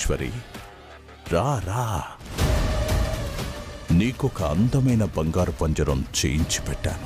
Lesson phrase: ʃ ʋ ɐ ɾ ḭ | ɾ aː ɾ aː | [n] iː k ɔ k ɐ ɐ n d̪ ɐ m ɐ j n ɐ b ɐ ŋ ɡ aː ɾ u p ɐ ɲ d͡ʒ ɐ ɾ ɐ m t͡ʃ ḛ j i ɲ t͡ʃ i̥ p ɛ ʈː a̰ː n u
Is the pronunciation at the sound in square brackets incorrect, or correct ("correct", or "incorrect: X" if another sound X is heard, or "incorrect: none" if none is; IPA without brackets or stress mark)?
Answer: correct